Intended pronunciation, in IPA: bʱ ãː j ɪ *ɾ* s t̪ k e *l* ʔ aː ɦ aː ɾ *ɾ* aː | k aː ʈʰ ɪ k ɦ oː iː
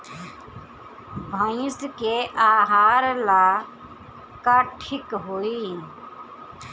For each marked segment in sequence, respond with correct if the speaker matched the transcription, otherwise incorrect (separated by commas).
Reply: incorrect, incorrect, incorrect